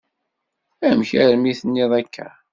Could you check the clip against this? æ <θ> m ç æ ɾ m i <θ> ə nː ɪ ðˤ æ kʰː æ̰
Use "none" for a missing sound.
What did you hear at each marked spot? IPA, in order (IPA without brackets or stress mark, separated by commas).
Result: none, θ